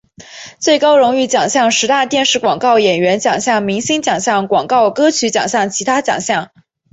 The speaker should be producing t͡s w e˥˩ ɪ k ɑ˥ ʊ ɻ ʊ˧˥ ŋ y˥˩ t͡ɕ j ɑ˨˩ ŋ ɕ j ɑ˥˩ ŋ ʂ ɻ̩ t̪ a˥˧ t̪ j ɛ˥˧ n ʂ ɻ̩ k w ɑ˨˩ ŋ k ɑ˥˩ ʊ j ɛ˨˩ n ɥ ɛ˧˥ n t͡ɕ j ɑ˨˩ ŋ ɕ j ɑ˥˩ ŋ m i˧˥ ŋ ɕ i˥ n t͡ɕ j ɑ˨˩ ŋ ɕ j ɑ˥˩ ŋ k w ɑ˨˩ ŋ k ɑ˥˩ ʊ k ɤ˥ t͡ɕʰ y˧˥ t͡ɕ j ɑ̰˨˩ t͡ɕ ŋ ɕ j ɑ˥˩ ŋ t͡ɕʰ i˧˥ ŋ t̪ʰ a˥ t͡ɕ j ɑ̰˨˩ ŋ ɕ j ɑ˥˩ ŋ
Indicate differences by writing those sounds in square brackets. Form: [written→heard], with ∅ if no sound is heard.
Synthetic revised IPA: t͡s w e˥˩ ɪ k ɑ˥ ʊ ɻ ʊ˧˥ ŋ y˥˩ t͡ɕ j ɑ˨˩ ŋ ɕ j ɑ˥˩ ŋ ʂ ɻ̩ t̪ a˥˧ t̪ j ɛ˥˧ n ʂ ɻ̩ k w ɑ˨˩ ŋ k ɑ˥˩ ʊ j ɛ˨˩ n ɥ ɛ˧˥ n t͡ɕ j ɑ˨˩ ŋ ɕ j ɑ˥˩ ŋ m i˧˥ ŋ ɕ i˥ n t͡ɕ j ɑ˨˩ ŋ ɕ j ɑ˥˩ ŋ k w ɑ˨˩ ŋ k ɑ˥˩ ʊ k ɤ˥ t͡ɕʰ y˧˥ t͡ɕ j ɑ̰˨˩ [t͡ɕ→∅] ŋ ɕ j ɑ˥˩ ŋ t͡ɕʰ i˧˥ [ŋ→∅] t̪ʰ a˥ t͡ɕ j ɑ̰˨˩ ŋ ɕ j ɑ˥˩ ŋ